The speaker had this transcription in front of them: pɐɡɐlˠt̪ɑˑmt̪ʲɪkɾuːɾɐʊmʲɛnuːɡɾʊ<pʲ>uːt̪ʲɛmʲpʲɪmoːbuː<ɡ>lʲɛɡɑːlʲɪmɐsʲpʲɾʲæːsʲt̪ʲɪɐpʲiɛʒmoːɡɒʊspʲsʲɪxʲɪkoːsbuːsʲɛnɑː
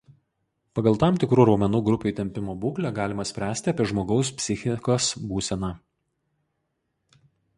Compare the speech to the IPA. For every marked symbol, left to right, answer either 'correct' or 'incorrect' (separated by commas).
correct, incorrect